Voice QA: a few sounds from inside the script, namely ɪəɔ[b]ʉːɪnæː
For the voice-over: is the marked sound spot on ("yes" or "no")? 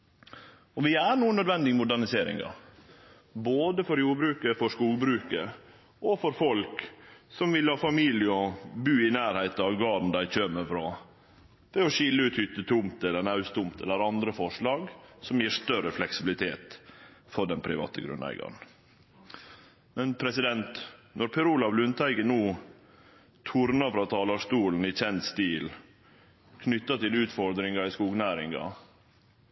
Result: yes